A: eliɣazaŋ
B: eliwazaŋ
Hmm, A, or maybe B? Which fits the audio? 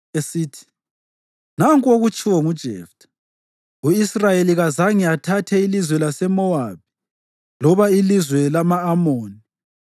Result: A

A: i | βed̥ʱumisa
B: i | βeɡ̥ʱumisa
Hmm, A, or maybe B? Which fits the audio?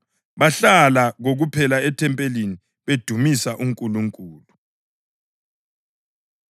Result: A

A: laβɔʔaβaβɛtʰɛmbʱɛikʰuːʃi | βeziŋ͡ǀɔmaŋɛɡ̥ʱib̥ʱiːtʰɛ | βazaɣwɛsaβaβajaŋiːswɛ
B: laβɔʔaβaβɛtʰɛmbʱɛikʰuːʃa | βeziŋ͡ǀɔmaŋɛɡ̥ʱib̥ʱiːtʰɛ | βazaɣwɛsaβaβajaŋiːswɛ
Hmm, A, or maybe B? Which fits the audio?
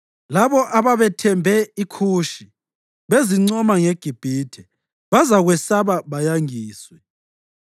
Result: A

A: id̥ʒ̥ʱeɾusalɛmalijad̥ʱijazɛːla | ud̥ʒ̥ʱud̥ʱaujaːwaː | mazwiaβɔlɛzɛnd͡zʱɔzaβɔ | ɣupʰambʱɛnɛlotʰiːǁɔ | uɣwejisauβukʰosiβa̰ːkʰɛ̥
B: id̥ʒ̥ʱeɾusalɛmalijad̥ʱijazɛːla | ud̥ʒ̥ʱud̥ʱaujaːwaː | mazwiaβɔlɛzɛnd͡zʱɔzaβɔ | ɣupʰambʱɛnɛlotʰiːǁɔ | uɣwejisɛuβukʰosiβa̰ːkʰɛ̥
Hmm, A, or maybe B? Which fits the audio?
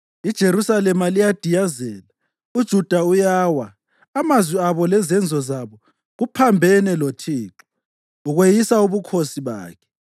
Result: A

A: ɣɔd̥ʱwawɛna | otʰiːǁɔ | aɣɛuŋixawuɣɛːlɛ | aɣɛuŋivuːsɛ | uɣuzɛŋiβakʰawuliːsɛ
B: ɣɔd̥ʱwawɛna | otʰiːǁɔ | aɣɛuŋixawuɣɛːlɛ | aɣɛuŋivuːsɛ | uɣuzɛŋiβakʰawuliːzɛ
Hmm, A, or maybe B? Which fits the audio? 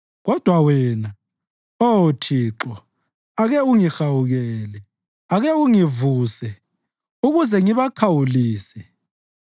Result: A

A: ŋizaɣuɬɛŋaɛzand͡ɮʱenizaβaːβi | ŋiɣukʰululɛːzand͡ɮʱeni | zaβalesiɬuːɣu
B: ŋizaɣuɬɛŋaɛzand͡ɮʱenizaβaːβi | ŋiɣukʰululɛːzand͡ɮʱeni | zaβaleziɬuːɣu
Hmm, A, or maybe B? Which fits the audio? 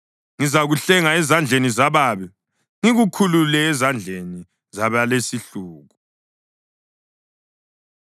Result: A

